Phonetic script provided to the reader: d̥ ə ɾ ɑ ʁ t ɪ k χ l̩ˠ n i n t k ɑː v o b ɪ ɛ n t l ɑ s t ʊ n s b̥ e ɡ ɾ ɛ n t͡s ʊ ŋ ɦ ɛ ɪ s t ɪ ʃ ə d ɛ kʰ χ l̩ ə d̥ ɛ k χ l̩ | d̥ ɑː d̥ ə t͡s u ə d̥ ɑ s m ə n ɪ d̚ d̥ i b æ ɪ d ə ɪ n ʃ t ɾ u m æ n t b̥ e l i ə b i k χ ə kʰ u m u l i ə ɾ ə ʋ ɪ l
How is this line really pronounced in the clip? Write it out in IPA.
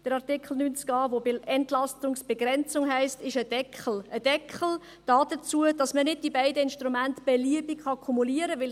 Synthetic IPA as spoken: d̥ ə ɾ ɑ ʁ t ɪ k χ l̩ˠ n y n t͡s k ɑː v o b ɪ ɛ n t l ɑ s t ʊ ŋ s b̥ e ɡ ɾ ɛ n t͡s ʊ ŋ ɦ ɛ ɪ s t ɪ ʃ ə d ɛ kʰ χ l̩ ə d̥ ɛ k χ l̩ | d̥ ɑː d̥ ə t͡s u ə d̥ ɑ s m ə n ɪ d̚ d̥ i b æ ɪ d ə ɪ n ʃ t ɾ u m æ n t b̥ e l i ə b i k χ ɑ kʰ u m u l i ə ɾ ə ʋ ɪ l